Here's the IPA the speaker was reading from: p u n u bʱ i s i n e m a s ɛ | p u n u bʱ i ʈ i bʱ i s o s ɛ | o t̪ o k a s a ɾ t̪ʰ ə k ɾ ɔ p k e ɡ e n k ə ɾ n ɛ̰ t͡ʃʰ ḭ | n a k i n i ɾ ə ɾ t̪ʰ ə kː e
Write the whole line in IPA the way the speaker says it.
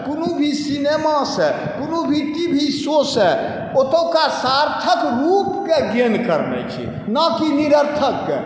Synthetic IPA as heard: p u n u bʱ i s i n e m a s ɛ | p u n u bʱ i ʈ i bʱ i s o s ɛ | o t̪ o k a s a ɾ t̪ʰ ə k ɾ u p k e ɡ e n k ə ɾ n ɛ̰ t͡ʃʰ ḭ | n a k i n i ɾ ə ɾ t̪ʰ ə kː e